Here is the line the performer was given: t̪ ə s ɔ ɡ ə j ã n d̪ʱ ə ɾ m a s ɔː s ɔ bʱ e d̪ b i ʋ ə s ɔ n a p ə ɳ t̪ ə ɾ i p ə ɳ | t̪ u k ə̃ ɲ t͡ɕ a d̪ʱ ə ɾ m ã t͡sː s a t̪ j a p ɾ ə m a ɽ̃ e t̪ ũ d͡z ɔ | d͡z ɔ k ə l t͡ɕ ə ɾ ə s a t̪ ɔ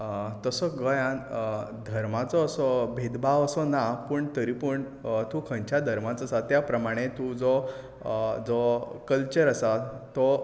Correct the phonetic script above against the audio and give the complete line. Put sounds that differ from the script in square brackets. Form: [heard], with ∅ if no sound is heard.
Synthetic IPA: t̪ ə s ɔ ɡ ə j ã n d̪ʱ ə ɾ m a [t͡s] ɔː s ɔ bʱ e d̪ b [a] ʋ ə s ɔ n a p ə ɳ t̪ ə ɾ i p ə ɳ | t̪ u [kʰ] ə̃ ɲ t͡ɕ a d̪ʱ ə ɾ m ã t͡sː s a t̪ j a p ɾ ə m a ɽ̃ e t̪ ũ d͡z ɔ | d͡z ɔ k ə l t͡ɕ ə ɾ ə s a t̪ ɔ

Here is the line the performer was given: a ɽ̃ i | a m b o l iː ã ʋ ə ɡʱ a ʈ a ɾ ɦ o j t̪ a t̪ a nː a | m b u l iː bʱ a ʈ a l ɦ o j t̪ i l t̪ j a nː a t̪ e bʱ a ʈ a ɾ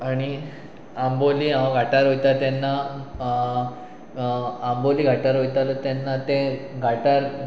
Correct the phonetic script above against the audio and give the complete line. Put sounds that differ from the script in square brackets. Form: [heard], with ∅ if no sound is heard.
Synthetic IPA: a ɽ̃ i | a m b o l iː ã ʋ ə ɡʱ a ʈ a ɾ ɦ o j t̪ a t̪ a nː a | m b [o] l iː [ɡʱ] a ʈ a [ɾ] ɦ o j t̪ [a] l t̪ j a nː a t̪ e [ɡʱ] a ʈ a ɾ

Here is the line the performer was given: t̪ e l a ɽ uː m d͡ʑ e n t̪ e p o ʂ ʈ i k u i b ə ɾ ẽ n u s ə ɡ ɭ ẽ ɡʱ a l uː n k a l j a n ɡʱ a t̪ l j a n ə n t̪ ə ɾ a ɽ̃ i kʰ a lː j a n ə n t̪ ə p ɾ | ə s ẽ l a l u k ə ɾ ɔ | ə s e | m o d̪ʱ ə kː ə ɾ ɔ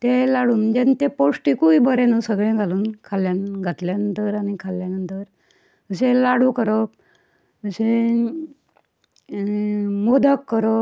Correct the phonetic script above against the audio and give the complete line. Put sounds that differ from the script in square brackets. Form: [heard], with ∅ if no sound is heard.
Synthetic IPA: t̪ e l a ɽ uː [n] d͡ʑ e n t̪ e p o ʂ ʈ i k u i b ə ɾ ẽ n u s ə ɡ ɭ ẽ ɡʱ a l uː n [kʰ] a l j a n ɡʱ a t̪ l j a n ə n t̪ ə ɾ a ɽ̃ i kʰ a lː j a n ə n t̪ ə [∅] ɾ | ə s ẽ l a [ɽ] u k ə ɾ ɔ | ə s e | m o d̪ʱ ə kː ə ɾ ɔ

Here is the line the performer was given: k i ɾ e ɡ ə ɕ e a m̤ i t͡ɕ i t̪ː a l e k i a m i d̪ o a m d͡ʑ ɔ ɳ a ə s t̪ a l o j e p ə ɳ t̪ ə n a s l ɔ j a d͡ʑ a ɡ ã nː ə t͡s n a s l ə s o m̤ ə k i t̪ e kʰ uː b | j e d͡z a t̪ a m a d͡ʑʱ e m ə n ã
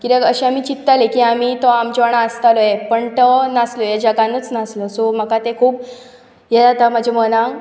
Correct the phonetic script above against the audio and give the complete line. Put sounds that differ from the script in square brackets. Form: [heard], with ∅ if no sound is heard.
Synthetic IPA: k i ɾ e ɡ ə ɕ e a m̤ i t͡ɕ i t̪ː a l e k i a m i [t̪] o a m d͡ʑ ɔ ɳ a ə s t̪ a l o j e p ə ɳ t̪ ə n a s l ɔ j a d͡ʑ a ɡ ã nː ə t͡s n a s l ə s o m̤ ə k [a] t̪ e kʰ uː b | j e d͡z a t̪ a m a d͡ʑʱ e m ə n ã

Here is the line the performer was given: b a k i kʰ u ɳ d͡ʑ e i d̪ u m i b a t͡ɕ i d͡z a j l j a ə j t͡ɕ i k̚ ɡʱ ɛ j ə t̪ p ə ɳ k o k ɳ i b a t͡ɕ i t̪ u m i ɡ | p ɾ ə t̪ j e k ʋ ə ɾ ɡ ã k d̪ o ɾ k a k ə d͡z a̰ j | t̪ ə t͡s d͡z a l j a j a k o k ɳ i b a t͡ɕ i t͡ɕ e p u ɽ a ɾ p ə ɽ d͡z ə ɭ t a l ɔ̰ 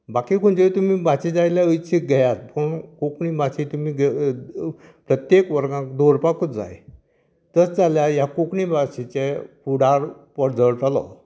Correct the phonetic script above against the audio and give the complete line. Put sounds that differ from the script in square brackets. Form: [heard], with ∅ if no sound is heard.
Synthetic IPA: b a k i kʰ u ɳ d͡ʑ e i [t̪] u m i b a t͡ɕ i d͡z a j l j a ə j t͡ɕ i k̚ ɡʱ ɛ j [a] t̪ p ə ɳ k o k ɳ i b a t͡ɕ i t̪ u m i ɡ | p ɾ ə t̪ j e k ʋ ə ɾ ɡ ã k d̪ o ɾ [p] a k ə d͡z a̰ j | t̪ ə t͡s d͡z a l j a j a k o k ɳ i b a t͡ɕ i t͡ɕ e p u ɽ a ɾ p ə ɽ d͡z ə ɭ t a l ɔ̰

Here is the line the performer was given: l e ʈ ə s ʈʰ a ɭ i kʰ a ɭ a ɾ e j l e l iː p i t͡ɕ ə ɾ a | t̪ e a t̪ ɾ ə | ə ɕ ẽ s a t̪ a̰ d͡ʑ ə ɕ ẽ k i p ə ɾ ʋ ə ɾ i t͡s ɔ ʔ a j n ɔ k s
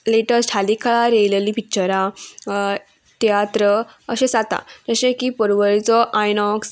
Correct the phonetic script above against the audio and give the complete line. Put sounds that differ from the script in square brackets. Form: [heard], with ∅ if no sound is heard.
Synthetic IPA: l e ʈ ə s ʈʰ a [l] i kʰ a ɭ a ɾ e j l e l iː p i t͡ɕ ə ɾ a | t̪ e a t̪ ɾ ə | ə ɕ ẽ s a t̪ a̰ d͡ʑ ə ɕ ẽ k i p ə ɾ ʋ ə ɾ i t͡s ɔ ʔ a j n ɔ k s

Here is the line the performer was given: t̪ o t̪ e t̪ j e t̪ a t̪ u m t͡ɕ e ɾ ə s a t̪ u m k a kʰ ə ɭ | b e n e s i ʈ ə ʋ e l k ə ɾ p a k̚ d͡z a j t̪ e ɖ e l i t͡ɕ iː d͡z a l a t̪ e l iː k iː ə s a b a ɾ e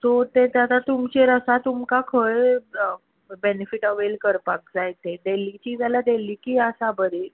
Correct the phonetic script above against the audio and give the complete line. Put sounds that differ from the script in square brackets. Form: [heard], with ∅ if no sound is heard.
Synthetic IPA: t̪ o t̪ e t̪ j [a] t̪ a t̪ u m t͡ɕ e ɾ ə s a t̪ u m k a kʰ ə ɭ | b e n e [f] i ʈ ə ʋ e l k ə ɾ p a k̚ d͡z a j t̪ e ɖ e l i t͡ɕ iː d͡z a l a [d̪] e l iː k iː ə s a b [ə] ɾ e

